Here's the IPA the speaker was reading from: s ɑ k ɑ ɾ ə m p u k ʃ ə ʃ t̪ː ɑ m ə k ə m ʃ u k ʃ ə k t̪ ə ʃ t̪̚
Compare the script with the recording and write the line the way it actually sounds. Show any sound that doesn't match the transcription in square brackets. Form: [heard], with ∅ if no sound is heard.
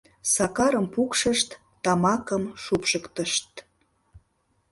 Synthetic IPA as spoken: s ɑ k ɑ ɾ ə m p u k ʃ ə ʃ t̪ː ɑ m [ɑ] k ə m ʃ u [p] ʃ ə k t̪ ə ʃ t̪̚